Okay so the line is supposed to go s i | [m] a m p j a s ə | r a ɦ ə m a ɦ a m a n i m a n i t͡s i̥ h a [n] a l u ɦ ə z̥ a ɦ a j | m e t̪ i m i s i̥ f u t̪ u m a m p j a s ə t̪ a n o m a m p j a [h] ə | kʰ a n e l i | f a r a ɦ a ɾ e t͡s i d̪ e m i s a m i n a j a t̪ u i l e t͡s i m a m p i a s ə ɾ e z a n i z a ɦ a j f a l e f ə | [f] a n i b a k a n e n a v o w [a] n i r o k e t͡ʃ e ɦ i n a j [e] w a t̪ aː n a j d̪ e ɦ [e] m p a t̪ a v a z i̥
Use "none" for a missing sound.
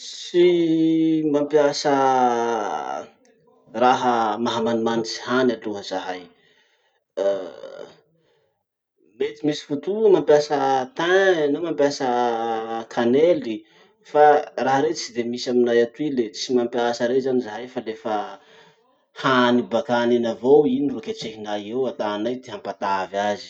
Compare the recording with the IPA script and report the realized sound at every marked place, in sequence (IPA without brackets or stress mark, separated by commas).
m, n, s, h, i, e, a